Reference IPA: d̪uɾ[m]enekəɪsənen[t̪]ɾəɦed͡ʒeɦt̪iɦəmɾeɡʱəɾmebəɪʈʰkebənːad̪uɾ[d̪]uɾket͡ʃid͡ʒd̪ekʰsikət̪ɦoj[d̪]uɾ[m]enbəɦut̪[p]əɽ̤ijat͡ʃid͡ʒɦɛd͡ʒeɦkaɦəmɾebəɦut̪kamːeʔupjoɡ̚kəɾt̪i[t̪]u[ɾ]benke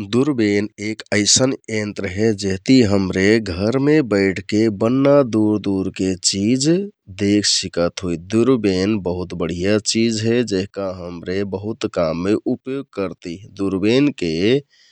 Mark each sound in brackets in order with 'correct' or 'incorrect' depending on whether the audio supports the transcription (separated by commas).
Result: incorrect, correct, correct, correct, incorrect, incorrect, incorrect, correct